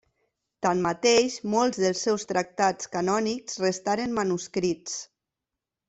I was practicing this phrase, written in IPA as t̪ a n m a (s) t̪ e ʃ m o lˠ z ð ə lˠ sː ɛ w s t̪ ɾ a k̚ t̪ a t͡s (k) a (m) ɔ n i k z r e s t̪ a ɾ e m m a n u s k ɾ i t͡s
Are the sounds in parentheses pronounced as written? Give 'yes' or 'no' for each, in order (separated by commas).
no, yes, no